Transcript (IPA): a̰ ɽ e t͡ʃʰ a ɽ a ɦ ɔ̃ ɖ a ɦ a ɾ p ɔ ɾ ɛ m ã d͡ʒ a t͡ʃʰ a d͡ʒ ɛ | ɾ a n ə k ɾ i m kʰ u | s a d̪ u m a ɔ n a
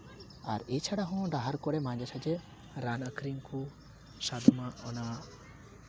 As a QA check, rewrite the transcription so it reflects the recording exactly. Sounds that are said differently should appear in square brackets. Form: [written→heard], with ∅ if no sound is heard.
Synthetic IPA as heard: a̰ [ɽ→ɾ] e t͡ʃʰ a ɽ a ɦ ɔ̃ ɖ a ɦ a ɾ [p→k] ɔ ɾ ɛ m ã d͡ʒ a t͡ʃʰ a d͡ʒ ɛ | ɾ a n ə k ɾ i [m→ŋ] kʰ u | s a d̪ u m a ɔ n a